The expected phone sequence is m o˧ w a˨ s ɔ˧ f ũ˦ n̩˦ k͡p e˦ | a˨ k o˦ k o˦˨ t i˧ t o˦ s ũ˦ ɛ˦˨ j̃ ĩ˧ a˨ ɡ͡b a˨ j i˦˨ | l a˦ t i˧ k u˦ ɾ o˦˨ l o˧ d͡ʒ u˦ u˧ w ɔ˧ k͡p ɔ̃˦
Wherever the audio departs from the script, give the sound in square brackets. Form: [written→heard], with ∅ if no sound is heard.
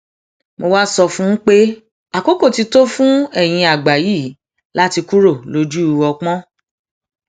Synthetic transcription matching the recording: m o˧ w [a˨→a˦] s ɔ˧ f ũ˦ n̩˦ k͡p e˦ | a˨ k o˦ k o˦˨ t i˧ t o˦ [s→f] ũ˦ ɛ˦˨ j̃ ĩ˧ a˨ ɡ͡b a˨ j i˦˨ | l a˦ t i˧ k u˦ ɾ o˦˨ l o˧ d͡ʒ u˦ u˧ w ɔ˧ k͡p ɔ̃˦